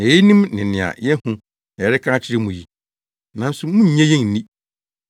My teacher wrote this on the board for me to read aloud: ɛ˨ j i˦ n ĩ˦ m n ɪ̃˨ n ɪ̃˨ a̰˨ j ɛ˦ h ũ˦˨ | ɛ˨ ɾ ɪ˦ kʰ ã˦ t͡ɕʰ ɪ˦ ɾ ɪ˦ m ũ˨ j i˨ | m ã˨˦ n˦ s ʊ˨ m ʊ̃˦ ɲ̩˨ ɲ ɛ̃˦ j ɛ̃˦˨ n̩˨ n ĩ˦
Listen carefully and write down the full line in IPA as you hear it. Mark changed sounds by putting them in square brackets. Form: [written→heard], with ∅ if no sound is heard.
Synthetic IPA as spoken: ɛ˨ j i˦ n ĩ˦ m n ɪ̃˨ n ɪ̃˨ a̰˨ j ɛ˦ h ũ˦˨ | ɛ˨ ɾ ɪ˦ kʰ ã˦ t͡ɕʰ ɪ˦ ɾ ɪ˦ m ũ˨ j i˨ | [m→n] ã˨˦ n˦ s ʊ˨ m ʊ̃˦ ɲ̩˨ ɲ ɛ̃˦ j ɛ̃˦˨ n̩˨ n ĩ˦